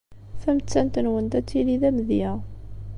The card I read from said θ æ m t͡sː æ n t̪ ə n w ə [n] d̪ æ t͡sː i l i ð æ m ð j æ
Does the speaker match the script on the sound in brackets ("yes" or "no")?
yes